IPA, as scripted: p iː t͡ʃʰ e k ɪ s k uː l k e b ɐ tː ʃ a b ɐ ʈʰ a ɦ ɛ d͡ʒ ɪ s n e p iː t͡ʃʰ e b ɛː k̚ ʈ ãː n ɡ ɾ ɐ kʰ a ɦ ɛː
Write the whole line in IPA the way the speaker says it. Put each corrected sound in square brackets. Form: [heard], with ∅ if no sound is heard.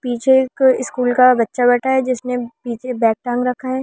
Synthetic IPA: p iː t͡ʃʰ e k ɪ s k uː l k [a] b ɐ tː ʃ a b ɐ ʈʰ a ɦ ɛ d͡ʒ ɪ s n e p iː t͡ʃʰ e b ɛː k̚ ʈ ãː [ŋ] ɡ ɾ ɐ kʰ a ɦ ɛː